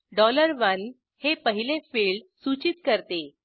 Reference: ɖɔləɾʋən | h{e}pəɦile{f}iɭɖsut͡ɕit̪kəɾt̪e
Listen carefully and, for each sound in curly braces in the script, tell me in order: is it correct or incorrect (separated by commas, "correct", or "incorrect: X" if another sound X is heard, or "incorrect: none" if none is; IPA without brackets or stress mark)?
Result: correct, correct